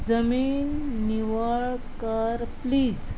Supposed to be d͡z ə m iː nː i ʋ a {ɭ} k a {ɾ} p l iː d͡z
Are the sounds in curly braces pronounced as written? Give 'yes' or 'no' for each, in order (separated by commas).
yes, yes